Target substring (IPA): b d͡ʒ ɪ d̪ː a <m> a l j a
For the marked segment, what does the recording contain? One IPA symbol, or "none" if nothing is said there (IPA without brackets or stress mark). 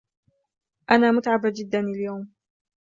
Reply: n